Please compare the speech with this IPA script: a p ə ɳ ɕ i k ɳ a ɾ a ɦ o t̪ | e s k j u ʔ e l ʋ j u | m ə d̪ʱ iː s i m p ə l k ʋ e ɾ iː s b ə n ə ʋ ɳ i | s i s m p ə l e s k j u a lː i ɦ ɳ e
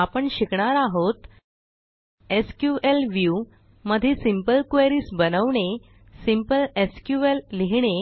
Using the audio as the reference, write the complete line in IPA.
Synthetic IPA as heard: a p ə ɳ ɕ i k ɳ a ɾ a ɦ o t̪ | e s k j u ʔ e l ʋ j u | m ə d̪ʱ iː s i m p ə l k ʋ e ɾ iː s b ə n ə ʋ ɳ e | s i m p ə l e s k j u e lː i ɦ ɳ e